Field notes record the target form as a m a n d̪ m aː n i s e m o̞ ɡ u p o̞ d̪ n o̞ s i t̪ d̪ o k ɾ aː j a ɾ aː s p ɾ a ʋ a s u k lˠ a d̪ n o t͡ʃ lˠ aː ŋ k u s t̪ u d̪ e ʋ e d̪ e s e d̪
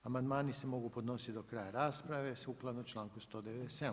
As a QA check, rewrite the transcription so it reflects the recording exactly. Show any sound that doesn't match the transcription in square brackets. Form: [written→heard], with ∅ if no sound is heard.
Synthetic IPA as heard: a m a n d̪ m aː n i s e m o̞ ɡ u p o̞ d̪ n o̞ s i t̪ d̪ o k ɾ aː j a ɾ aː s p ɾ a ʋ [a→e] s u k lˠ a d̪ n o t͡ʃ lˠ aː ŋ k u s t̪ [u→o] d̪ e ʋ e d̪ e s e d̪